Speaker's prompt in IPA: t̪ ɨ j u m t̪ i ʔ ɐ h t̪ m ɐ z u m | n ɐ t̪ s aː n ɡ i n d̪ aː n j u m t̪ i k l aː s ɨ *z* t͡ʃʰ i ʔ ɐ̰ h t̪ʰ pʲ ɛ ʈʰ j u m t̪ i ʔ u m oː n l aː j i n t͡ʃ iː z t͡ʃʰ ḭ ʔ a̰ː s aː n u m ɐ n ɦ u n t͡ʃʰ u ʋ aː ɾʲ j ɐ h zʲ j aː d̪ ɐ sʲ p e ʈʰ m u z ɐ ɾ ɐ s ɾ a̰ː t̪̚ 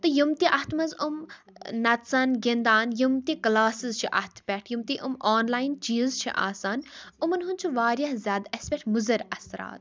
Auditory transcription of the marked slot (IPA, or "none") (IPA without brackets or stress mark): z